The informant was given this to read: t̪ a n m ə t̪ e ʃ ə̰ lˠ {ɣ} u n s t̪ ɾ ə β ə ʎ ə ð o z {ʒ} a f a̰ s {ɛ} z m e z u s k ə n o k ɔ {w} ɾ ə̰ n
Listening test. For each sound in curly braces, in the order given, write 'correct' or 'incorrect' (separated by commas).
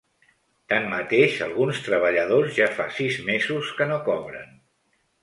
correct, correct, incorrect, incorrect